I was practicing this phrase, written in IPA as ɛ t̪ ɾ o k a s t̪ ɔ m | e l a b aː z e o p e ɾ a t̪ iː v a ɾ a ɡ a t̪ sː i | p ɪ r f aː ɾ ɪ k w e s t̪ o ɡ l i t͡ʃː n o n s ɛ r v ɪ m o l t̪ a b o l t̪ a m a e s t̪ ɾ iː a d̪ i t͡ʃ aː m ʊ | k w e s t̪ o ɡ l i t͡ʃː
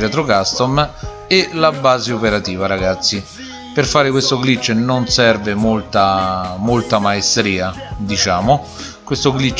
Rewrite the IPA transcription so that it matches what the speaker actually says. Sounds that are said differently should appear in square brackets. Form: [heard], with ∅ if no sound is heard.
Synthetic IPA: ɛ t̪ ɾ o k a s t̪ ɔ m | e l a b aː z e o p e ɾ a t̪ iː v a ɾ a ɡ a t̪ sː i | p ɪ r f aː ɾ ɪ k w e s t̪ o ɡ l i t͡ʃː n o n s ɛ r v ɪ m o l t̪ a [m] o l t̪ a m a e s t̪ ɾ iː a d̪ i t͡ʃ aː m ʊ | k w e s t̪ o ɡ l i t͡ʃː